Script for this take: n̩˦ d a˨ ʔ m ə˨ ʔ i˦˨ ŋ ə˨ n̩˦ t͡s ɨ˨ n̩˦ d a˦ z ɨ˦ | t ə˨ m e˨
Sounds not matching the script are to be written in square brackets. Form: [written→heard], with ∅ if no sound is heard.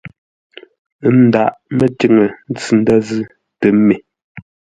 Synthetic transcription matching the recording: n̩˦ d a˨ ʔ m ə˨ [ʔ→t] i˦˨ ŋ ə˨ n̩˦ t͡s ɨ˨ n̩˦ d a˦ z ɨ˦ | t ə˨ m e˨